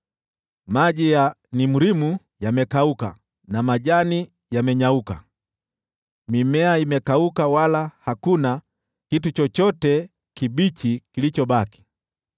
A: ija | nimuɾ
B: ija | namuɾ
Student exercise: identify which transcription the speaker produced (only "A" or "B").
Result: A